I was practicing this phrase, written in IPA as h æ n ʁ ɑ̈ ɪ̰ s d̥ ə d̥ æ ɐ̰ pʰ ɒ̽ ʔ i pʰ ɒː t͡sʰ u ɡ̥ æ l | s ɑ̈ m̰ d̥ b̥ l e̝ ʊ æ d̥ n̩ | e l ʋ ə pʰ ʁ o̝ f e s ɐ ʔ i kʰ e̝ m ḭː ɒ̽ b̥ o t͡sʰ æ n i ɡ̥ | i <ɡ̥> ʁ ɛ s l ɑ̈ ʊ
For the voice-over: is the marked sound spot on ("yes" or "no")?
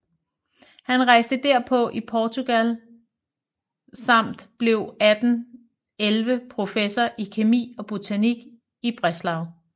no